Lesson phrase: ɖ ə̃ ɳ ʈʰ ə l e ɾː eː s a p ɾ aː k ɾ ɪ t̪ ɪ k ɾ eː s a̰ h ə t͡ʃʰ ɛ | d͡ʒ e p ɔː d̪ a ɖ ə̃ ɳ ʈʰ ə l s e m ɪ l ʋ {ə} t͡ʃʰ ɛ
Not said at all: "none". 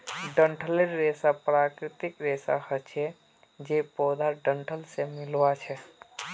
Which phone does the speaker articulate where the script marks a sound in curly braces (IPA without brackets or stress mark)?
a